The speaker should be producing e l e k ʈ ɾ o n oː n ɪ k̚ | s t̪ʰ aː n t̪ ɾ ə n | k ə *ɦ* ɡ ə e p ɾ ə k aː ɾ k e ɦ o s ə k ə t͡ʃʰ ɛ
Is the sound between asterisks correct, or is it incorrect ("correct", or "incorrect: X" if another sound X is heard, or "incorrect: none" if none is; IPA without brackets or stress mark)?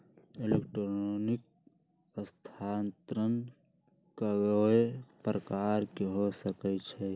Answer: incorrect: none